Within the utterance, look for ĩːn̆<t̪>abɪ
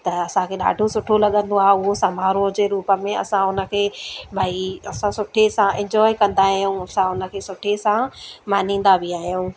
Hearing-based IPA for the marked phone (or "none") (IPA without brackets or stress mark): d̪